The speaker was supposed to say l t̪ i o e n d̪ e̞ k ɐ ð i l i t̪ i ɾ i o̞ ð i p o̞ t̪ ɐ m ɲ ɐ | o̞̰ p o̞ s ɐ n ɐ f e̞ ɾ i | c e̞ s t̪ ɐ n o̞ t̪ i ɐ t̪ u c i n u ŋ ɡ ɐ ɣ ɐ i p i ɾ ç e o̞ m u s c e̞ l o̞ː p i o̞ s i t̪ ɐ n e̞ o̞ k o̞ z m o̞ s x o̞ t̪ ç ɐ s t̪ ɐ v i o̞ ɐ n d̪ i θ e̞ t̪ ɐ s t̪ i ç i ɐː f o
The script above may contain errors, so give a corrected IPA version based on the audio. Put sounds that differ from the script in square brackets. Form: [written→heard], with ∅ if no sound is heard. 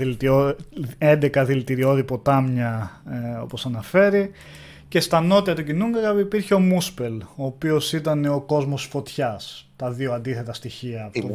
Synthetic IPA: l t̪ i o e n d̪ e̞ k ɐ ð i l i t̪ i ɾ i o̞ ð i p o̞ t̪ ɐ m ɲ ɐ | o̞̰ p o̞ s ɐ n ɐ f e̞ ɾ i | c e̞ s t̪ ɐ n o̞ t̪ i ɐ t̪ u c i n u ŋ ɡ ɐ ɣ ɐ i p i ɾ ç e o̞ m u s [c→p] e̞ l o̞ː p i o̞ s i t̪ ɐ n e̞ o̞ k o̞ z m o̞ s [x→f] o̞ t̪ ç ɐ s t̪ ɐ [v→ð] i o̞ ɐ n d̪ i θ e̞ t̪ ɐ s t̪ i ç i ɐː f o